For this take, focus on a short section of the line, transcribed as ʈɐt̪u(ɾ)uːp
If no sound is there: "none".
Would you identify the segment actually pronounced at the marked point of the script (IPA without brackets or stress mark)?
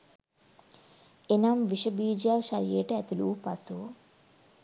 l